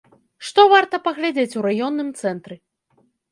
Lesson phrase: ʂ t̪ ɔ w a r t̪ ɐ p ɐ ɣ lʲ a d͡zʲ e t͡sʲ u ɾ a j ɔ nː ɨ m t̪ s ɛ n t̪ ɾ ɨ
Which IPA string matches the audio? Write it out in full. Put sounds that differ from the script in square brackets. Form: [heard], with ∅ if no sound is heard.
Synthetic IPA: ʂ t̪ ɔ [v] a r t̪ ɐ p ɐ ɣ lʲ a d͡zʲ e t͡sʲ u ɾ a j ɔ nː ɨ m t̪ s ɛ n t̪ ɾ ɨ